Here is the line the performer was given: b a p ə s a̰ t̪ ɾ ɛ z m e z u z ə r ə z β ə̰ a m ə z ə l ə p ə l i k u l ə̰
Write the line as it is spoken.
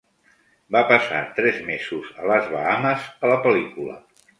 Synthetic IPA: b a p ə s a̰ t̪ ɾ ɛ z m e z u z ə l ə z β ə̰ a m ə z ə l ə p ə l i k u l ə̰